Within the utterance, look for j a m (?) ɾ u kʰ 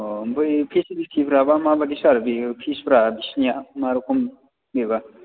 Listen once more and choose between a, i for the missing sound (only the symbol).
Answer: a